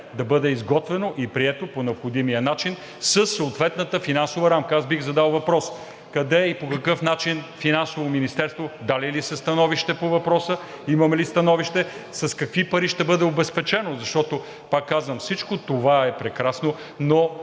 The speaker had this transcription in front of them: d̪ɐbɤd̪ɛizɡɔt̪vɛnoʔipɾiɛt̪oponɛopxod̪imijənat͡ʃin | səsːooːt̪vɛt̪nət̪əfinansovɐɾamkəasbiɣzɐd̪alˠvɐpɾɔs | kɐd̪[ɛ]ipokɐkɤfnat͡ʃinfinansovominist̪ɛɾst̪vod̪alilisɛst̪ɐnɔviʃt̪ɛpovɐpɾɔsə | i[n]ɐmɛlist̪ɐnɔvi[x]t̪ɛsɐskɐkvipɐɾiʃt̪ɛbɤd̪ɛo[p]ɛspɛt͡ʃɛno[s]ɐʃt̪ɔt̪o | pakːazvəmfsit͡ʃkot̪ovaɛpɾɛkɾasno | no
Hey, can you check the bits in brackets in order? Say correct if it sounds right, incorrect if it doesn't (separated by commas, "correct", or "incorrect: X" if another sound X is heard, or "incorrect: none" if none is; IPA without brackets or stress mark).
correct, incorrect: m, incorrect: ʃ, incorrect: b, incorrect: z